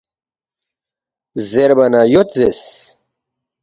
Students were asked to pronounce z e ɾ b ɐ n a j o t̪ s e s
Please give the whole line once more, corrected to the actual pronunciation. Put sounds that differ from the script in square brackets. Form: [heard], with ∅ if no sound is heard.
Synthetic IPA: z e ɾ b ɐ n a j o t̪ [z] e s